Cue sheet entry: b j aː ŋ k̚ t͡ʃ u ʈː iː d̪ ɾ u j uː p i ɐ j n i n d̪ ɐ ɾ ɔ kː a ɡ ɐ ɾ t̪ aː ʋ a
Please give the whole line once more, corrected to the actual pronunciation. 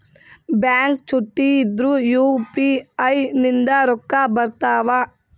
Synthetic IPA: b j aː ŋ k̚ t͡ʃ u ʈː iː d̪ ɾ u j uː p i ɐ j n i n d̪ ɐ ɾ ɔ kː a b ɐ ɾ t̪ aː ʋ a